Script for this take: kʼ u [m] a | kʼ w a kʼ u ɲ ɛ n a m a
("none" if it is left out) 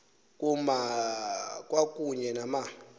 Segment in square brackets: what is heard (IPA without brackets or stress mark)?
m